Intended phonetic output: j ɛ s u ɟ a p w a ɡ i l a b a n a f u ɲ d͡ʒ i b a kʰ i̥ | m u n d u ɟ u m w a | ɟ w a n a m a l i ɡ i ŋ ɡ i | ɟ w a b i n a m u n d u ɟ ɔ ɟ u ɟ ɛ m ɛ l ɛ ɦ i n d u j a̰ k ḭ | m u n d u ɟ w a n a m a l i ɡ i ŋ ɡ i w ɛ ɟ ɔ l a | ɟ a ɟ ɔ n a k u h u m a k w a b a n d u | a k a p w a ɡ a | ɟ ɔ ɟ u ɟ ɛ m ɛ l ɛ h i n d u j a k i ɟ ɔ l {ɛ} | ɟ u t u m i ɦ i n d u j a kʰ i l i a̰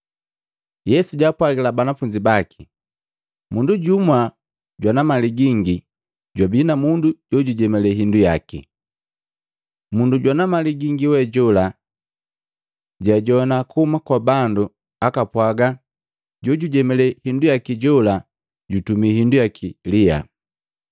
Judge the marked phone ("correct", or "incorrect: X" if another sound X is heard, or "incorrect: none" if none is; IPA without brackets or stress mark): incorrect: a